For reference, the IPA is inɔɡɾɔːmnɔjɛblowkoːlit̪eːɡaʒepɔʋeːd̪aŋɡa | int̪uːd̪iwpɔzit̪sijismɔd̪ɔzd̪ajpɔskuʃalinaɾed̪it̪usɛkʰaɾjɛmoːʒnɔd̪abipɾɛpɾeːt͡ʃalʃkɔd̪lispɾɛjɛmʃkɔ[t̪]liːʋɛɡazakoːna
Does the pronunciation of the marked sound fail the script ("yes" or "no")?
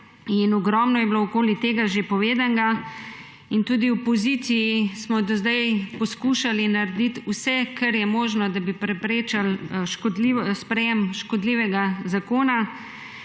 yes